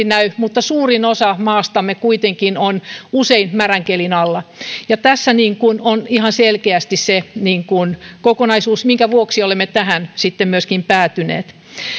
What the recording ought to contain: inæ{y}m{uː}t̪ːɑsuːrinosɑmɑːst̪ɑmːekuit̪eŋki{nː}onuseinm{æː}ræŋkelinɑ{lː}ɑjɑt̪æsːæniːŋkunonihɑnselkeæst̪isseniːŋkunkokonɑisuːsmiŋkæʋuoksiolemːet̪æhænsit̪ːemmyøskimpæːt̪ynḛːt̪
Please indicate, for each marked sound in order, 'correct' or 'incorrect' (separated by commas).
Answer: correct, incorrect, incorrect, incorrect, correct